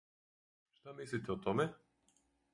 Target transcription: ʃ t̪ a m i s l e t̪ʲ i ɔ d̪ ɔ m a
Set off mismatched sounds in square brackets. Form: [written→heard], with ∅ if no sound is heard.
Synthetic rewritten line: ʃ t̪ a m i s l [e→i] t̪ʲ [i→ɛ] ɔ [d̪→t̪] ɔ m [a→ɛ]